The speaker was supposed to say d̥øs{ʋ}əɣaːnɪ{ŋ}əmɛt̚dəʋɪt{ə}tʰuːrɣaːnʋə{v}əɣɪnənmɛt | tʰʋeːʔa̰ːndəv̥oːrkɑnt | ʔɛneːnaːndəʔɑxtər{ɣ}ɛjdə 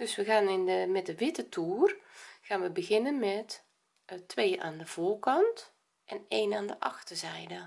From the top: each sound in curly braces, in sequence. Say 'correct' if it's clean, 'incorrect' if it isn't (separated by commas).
correct, incorrect, correct, incorrect, incorrect